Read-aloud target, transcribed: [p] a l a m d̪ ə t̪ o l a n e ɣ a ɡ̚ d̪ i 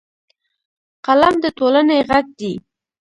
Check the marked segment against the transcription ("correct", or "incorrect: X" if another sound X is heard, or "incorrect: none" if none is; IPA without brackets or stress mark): incorrect: q